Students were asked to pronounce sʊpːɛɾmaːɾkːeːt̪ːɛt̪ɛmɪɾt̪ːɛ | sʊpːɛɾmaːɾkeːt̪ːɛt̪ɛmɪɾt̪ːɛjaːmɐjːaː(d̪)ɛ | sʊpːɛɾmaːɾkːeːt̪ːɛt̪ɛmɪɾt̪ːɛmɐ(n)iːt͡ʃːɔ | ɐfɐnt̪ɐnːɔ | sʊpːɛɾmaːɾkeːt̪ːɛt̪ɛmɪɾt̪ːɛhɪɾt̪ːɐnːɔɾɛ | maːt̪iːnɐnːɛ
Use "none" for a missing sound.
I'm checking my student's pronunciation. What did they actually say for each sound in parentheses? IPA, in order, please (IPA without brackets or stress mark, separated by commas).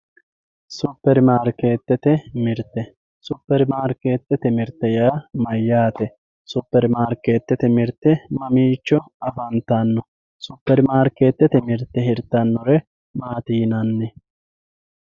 t̪, m